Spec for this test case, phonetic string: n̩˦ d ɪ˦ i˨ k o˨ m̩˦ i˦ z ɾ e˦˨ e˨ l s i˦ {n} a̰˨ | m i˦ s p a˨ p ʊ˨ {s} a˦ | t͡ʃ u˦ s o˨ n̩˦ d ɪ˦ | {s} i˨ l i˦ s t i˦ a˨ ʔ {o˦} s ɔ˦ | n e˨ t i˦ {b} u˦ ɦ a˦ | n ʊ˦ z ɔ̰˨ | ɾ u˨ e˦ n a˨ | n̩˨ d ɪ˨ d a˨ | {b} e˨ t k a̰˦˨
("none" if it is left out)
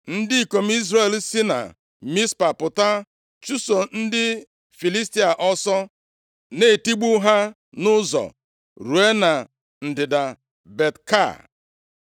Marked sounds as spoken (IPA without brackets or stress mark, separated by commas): n, t, f, ɔ˦, ɡ͡b, b